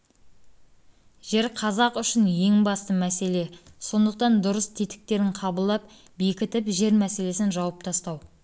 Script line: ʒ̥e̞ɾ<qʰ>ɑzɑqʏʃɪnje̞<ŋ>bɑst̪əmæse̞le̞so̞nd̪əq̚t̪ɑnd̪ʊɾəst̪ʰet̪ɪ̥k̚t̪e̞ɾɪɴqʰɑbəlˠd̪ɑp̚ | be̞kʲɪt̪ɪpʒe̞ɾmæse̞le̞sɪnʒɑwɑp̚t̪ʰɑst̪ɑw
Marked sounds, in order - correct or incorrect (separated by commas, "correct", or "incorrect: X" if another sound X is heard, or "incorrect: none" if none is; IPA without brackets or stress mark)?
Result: correct, correct